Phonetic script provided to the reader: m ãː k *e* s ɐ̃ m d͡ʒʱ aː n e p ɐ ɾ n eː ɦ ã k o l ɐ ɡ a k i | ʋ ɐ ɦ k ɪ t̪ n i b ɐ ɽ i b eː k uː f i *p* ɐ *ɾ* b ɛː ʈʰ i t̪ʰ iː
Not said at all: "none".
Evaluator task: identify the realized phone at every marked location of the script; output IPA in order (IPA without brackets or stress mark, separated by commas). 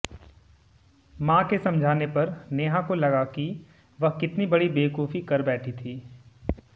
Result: e, k, ɾ